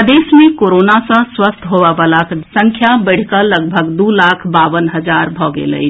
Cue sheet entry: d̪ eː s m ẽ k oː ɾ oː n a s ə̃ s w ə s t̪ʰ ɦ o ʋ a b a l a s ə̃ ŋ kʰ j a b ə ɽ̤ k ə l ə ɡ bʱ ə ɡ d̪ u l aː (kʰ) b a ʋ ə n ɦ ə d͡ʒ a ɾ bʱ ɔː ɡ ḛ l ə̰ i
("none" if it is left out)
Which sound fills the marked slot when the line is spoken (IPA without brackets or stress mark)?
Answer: kʰ